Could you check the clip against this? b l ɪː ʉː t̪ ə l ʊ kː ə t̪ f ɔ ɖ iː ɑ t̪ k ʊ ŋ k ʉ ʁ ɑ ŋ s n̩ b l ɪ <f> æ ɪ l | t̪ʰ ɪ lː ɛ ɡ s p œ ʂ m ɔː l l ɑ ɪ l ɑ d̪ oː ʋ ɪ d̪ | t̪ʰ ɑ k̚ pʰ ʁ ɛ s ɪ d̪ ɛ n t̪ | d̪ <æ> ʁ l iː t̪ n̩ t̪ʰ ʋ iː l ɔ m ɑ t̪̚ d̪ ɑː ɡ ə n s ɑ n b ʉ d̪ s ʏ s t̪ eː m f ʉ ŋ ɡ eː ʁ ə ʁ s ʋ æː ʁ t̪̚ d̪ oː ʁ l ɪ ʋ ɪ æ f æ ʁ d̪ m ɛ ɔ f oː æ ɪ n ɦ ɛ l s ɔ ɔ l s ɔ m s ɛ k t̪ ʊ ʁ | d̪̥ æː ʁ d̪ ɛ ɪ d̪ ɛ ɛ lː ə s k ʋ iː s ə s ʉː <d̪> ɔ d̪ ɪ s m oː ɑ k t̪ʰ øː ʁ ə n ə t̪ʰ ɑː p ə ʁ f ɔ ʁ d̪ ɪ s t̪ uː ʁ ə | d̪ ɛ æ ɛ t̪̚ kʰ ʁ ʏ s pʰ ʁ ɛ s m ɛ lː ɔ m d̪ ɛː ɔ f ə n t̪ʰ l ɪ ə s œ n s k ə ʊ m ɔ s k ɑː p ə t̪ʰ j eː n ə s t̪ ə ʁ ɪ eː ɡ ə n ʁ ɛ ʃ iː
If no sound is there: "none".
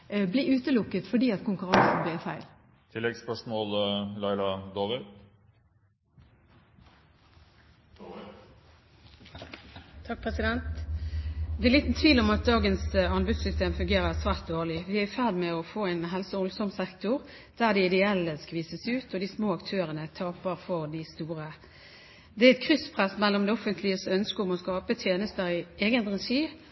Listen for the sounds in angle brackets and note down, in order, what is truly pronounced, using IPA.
f, ɛ, t̪

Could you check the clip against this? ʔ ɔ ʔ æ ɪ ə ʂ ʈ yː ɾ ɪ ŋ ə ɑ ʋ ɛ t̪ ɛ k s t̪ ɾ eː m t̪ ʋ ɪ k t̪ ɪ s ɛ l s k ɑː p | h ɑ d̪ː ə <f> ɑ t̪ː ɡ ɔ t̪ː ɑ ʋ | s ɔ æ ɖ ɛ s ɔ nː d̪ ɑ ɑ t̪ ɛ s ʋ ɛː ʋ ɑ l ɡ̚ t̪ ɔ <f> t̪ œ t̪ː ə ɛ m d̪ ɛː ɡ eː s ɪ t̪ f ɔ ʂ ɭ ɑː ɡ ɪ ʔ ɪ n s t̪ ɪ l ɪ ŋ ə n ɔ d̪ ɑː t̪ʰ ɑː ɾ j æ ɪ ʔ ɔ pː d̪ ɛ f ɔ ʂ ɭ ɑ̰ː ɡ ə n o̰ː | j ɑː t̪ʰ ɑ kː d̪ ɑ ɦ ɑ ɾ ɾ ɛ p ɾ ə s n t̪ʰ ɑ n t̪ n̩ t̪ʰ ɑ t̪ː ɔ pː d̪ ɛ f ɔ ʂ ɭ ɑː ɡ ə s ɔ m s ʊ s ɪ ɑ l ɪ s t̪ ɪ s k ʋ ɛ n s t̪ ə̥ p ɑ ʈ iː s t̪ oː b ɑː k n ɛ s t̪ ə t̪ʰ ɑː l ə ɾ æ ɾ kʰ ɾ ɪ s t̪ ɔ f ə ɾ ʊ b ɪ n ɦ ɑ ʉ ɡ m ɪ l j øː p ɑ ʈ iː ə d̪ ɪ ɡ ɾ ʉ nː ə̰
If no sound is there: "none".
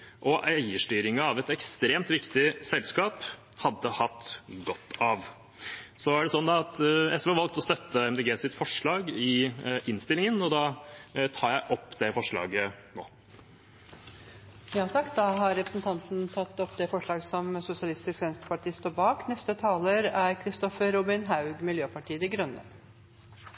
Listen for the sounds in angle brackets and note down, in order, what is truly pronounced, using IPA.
h, s

